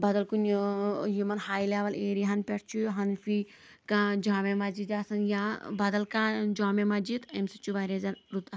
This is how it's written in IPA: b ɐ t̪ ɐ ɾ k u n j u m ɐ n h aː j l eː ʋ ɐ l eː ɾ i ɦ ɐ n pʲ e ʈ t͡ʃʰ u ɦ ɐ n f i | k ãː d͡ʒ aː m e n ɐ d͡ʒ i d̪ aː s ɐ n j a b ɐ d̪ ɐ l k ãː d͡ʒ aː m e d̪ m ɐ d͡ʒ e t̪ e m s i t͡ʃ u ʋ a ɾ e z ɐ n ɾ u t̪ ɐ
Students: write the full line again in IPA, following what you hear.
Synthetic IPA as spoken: b ɐ d̪ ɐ l k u n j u m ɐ n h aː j l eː ʋ ɐ l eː ɾ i ɦ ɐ n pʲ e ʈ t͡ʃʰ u ɦ ɐ n f i | k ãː d͡ʒ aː m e m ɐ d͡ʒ i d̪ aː s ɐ n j a b ɐ d̪ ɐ l k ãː d͡ʒ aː m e m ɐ d͡ʒ i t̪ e m s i t͡ʃ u ʋ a ɾ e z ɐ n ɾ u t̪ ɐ